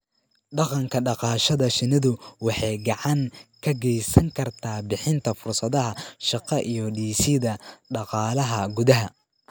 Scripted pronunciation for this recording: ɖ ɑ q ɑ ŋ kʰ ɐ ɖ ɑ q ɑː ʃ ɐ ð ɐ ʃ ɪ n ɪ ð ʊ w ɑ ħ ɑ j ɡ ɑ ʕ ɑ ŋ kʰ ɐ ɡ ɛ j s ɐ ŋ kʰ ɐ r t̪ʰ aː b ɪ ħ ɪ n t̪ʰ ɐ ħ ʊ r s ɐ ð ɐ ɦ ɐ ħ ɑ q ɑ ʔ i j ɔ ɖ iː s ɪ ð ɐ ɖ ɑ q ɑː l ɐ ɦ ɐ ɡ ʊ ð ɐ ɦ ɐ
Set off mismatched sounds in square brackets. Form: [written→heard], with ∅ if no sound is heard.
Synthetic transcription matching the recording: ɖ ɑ q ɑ ŋ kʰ ɐ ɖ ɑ q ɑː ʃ ɐ ð ɐ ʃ ɪ n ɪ ð ʊ w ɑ ħ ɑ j ɡ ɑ ʕ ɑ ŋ kʰ ɐ ɡ ɛ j s ɐ ŋ kʰ ɐ r t̪ʰ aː b ɪ ħ ɪ n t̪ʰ ɐ [ħ→f] ʊ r s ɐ ð ɐ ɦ ɐ [ħ→ʃ] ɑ q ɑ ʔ i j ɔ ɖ iː s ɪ ð ɐ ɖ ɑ q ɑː l ɐ ɦ ɐ ɡ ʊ ð ɐ ɦ ɐ